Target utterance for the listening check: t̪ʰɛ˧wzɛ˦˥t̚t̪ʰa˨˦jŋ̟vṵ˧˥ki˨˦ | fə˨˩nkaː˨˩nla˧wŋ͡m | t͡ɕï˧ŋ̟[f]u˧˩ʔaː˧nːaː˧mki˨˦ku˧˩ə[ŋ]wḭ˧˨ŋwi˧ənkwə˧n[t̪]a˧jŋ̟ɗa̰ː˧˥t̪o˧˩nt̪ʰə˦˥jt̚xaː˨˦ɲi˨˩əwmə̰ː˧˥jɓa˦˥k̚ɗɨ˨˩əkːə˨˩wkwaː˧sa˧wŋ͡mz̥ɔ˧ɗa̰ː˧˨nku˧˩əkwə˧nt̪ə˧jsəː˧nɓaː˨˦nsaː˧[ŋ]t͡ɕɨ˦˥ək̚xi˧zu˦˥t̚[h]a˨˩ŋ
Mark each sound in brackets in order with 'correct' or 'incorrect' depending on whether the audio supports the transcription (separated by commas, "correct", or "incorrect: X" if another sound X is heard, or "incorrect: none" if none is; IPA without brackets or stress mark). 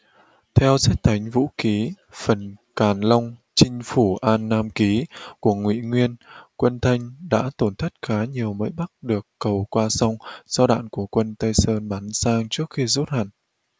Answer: correct, correct, incorrect: t̪ʰ, correct, correct